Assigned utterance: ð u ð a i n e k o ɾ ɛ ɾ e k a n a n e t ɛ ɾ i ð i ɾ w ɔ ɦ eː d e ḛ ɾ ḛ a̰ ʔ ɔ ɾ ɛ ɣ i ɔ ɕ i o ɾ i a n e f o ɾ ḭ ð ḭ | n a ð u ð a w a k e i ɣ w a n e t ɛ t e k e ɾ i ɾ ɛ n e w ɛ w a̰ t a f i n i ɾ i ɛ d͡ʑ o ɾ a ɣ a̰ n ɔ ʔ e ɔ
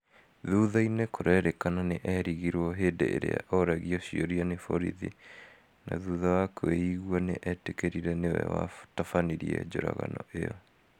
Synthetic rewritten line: ð u ð a i n e k o ɾ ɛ ɾ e k a n a n e ʔ ɛ ɾ i ɣ i ɾ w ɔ ɦ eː d e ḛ ɾ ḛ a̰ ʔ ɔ ɾ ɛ ɣ i ɔ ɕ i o ɾ i a n e f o ɾ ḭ ð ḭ | n a ð u ð a w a k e i ɣ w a n e ʔ ɛ t e k e ɾ i ɾ ɛ n e w ɛ w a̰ t a f a n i ɾ i ɛ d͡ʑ o ɾ a ɣ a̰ n ɔ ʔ e ɔ